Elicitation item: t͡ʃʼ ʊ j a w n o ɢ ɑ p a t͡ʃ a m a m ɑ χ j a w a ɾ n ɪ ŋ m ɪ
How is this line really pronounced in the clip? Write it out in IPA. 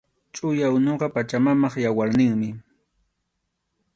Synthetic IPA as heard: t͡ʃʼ ʊ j a w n o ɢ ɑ p a t͡ʃ a m a m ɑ χ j a w a ɾ n ɪ ŋ m ɪ

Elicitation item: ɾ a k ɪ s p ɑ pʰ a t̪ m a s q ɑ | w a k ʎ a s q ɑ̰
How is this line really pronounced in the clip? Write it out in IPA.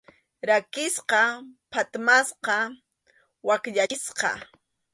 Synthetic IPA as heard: ɾ a k ɪ s q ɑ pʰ a t̪ m a s q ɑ | w a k ʎ a s q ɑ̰

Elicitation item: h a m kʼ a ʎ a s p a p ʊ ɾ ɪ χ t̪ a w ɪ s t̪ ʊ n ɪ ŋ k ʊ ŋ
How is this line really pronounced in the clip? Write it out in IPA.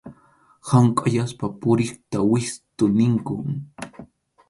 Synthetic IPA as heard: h a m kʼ a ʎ a s p a p ʊ ɾ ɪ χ t̪ a w ɪ s t̪ ʊ n ɪ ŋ k ʊ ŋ

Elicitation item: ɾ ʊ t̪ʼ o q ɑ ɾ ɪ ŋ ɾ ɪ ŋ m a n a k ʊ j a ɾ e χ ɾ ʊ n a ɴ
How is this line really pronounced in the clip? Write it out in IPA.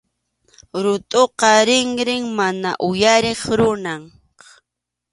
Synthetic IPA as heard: ɾ ʊ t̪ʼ o q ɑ ɾ ɪ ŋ ɾ ɪ ŋ m a n a ʔ ʊ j a ɾ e χ ɾ ʊ n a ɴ

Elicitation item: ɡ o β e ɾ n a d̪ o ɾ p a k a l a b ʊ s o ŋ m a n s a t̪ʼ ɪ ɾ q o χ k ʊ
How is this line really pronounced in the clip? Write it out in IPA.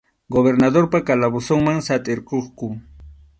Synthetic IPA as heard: ɡ o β e ɾ n a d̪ o ɾ p a k a l a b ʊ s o ŋ m a ŋ s a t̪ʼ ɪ ɾ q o χ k ʊ

